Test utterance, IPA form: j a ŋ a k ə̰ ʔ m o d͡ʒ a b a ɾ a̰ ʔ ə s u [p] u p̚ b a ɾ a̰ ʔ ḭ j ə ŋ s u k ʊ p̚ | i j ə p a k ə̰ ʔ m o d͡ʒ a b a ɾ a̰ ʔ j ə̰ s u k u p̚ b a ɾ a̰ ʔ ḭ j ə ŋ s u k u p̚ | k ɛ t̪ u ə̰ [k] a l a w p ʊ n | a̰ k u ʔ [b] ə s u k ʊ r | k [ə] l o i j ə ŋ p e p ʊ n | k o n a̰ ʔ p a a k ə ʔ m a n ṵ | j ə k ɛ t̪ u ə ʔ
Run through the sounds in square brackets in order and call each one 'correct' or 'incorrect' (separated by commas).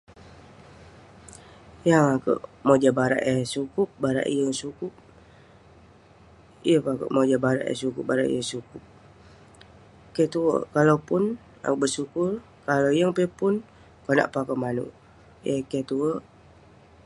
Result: incorrect, correct, correct, incorrect